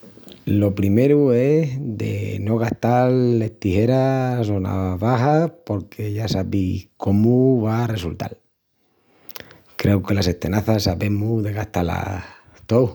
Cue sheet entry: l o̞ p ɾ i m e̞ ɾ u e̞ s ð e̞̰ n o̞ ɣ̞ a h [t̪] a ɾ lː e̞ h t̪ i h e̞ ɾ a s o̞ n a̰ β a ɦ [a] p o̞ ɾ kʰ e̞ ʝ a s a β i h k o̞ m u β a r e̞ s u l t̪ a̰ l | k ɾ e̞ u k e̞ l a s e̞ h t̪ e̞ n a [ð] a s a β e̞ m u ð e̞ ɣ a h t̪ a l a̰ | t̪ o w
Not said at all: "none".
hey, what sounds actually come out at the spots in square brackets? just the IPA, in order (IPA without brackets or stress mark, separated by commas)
t̪, a, θ